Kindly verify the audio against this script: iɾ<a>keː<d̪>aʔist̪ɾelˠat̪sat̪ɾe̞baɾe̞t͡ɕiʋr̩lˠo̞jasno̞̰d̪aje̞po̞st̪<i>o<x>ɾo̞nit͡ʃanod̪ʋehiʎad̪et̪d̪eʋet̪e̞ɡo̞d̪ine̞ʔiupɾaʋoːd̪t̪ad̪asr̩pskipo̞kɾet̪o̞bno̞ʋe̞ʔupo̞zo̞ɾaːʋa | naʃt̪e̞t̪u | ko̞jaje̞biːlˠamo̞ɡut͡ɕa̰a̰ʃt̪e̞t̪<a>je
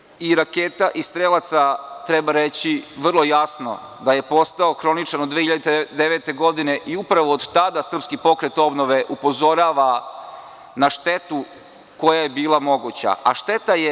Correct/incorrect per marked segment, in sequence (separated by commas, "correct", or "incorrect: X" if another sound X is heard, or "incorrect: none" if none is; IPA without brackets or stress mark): correct, incorrect: t̪, incorrect: a, correct, correct